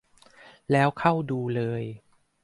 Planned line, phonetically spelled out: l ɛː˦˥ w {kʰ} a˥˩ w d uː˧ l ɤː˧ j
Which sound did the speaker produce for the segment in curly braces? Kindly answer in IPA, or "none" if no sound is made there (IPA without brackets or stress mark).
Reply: kʰ